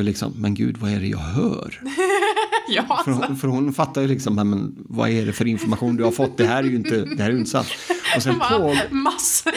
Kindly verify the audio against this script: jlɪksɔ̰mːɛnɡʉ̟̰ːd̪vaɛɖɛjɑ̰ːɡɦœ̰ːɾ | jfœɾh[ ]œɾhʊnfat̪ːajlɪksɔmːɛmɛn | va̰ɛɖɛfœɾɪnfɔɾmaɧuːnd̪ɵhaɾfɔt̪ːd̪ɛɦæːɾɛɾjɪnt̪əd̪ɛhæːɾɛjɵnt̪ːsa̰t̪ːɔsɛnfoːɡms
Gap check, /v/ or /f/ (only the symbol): f